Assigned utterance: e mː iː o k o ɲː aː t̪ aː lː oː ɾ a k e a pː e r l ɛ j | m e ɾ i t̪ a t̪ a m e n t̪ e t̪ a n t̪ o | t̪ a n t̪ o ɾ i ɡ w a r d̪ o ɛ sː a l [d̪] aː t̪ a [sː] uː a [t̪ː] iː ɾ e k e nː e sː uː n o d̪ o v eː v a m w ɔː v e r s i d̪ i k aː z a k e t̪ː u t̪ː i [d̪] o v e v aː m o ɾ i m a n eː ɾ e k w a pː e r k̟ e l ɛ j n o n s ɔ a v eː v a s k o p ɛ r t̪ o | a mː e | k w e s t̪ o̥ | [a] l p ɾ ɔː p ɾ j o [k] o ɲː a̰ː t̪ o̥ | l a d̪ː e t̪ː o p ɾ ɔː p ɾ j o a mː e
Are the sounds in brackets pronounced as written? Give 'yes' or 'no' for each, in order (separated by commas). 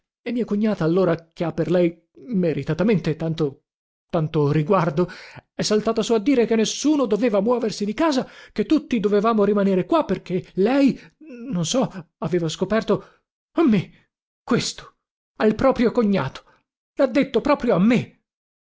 no, no, no, yes, yes, yes